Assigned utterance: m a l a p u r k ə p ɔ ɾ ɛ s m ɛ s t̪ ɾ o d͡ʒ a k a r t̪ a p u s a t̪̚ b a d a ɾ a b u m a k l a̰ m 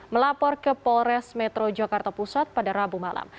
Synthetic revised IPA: m ə l a p ɔ r k ə p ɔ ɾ ɛ s m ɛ t̪ ɾ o d͡ʒ a k a r t̪ a p u s a t̪̚ p a d a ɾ a b u m a l a̰ m